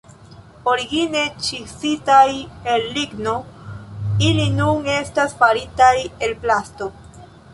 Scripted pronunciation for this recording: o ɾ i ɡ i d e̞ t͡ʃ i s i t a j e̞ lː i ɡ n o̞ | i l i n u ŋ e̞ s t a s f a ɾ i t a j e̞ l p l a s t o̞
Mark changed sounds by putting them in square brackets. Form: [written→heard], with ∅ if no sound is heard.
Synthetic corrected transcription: o ɾ i ɡ i [d→n] e̞ t͡ʃ i s i t a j e̞ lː i ɡ n o̞ | i l i n u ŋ e̞ s t a s f a ɾ i t a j e̞ l p l a s t o̞

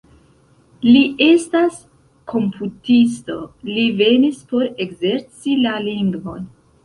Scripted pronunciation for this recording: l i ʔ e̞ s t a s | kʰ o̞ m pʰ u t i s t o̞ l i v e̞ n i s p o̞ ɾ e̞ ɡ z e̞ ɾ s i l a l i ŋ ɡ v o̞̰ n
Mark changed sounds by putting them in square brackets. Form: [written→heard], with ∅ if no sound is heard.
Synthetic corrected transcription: l i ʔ e̞ s t a s | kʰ o̞ m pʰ u t i s t o̞ l i v e̞ n i s p o̞ ɾ e̞ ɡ z e̞ ɾ [s→t͡s] i l a l i ŋ ɡ v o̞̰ n

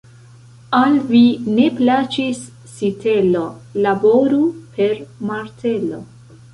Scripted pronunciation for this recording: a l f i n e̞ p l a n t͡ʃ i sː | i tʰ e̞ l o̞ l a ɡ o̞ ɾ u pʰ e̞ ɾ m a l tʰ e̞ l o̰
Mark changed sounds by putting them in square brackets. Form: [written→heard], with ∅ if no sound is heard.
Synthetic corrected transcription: a l [f→v] i n e̞ p l a [n→∅] t͡ʃ i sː | i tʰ e̞ l o̞ l a [ɡ→b] o̞ ɾ u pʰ e̞ ɾ m a [l→ɾ] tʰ e̞ l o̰

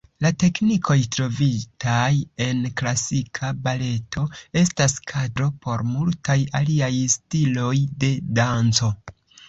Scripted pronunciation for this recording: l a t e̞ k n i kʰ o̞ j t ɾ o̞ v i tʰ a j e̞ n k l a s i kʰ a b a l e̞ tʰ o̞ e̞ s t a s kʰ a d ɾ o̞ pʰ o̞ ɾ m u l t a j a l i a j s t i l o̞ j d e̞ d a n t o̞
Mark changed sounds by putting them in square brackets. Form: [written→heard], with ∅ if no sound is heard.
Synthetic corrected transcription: l a t e̞ k n i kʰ o̞ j t ɾ o̞ v i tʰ a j e̞ n k l a s i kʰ a b a l e̞ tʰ o̞ e̞ s t a s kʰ a d ɾ o̞ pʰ o̞ ɾ m u l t a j a l i a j s t i l o̞ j d e̞ d a n [t→t͡s] o̞

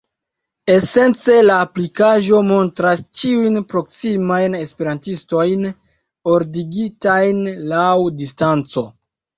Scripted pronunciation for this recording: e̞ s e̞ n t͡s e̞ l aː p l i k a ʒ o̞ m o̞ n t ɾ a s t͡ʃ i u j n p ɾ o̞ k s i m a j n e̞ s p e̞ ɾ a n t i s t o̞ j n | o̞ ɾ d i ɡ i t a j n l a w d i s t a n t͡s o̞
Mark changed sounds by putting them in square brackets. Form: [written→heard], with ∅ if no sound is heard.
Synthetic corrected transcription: e̞ s e̞ n t͡s e̞ l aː p l i k a ʒ o̞ m o̞ n t ɾ a s t͡ʃ i u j n p ɾ o̞ k s i m a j n e̞ s p e̞ ɾ a n t i s t o̞ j n | o̞ ɾ d i ɡ i t a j n l a w d i s t a n t͡s o̞

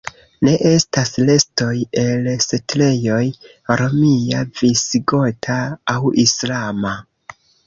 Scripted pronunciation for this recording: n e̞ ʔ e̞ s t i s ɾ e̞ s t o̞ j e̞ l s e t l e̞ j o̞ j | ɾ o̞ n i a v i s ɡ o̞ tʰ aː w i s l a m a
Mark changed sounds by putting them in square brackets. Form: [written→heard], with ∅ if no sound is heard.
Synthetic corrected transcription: n e̞ ʔ e̞ s t [i→a] s [ɾ→l] e̞ s t o̞ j e̞ l s e t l e̞ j o̞ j | ɾ o̞ [n→m] i a v i s ɡ o̞ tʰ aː w i s l a m a

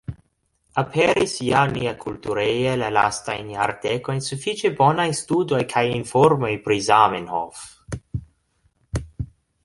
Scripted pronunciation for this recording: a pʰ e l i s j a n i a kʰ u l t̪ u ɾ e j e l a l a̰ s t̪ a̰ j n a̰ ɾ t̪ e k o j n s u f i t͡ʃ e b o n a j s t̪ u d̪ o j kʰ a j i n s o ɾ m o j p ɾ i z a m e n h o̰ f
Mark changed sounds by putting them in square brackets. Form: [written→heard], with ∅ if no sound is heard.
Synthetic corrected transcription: a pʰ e [l→ɾ] i s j a n i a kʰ u l t̪ u ɾ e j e l a l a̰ s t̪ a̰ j n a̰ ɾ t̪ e k o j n s u f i t͡ʃ e b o n a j s t̪ u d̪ o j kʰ a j i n [s→f] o ɾ m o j p ɾ i z a m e n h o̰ f

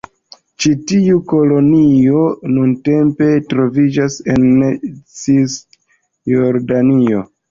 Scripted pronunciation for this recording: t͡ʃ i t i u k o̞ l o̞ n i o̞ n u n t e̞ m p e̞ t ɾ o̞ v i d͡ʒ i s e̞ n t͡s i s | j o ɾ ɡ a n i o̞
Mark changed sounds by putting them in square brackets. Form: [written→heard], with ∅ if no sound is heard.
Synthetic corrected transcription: t͡ʃ i t i u k o̞ l o̞ n i o̞ n u n t e̞ m p e̞ t ɾ o̞ v i d͡ʒ [i→a] s e̞ n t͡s i s | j o ɾ [ɡ→d] a n i o̞

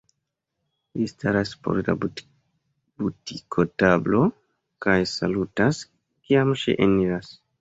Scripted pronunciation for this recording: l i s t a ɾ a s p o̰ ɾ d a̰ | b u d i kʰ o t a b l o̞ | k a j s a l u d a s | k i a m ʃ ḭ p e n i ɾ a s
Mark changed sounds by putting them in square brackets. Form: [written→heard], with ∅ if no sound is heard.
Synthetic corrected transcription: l i s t a ɾ a s p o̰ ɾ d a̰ | b u [d→t] i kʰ o t a b l o̞ | k a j s a l u [d→t] a s | k i a m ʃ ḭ [p→ʔ] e n i ɾ a s

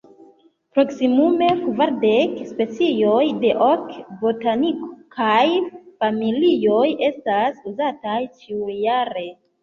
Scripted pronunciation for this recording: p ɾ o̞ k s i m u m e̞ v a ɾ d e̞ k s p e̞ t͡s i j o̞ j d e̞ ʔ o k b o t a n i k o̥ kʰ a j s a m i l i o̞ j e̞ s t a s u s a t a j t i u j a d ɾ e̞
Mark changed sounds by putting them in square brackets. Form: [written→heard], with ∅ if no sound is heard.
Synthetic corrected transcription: p ɾ o̞ k s i m u m e̞ v a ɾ d e̞ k s p e̞ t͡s i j o̞ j d e̞ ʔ o k b o t a n i k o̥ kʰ a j [s→f] a m i l i o̞ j e̞ s t a s u [s→z] a t a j [t→t͡ʃ] i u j a [d→∅] ɾ e̞

